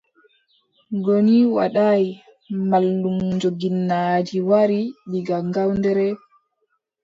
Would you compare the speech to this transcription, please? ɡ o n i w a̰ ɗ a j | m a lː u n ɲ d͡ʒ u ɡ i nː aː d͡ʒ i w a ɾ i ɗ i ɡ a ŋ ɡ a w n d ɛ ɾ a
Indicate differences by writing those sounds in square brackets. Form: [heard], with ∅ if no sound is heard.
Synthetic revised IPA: ɡ o n i w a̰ ɗ a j | m a lː u [m] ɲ d͡ʒ [o] ɡ i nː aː d͡ʒ i w a ɾ i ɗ i ɡ a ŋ ɡ a w n d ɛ ɾ [ɛ]